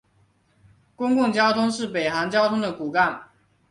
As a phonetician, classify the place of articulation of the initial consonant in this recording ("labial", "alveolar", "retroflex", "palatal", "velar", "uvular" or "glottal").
velar